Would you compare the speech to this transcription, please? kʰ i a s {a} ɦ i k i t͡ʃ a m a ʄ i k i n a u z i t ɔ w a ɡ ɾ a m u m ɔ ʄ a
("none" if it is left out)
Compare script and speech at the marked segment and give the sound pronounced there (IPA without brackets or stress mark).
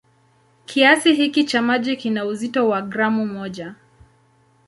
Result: i